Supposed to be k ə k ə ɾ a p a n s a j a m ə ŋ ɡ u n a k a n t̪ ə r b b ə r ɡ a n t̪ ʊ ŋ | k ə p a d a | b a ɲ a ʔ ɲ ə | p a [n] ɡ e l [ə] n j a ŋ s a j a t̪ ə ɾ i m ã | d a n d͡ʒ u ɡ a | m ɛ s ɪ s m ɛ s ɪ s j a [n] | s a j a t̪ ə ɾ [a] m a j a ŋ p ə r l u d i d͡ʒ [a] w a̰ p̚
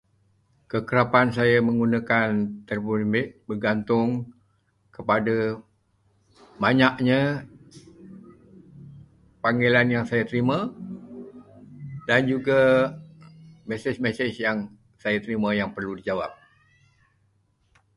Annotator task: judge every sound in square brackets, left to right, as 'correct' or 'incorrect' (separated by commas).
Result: incorrect, incorrect, incorrect, incorrect, correct